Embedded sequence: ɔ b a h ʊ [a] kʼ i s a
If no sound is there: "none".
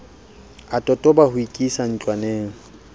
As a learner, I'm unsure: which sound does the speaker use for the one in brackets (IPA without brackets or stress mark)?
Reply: i